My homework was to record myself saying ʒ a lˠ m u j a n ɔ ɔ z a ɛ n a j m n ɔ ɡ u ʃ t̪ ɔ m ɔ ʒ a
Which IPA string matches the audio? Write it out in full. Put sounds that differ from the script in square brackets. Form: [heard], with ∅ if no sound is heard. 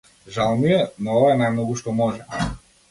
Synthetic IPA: ʒ a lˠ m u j [ɛ] n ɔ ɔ [v] a ɛ n a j m n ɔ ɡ u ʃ t̪ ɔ m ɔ ʒ [ɛ]